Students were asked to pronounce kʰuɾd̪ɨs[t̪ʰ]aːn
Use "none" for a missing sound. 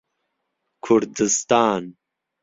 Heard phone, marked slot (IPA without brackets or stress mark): t̪